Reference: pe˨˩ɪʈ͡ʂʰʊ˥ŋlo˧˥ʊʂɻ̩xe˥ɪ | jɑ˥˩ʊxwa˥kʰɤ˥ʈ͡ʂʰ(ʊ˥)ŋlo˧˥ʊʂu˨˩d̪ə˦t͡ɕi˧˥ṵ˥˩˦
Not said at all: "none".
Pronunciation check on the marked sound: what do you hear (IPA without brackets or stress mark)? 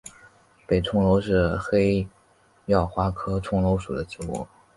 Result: ʊ˥